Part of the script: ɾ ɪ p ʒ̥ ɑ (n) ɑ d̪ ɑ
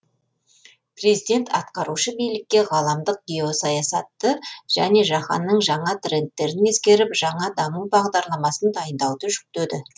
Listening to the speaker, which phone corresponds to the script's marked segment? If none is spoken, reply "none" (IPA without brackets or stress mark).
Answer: ɴ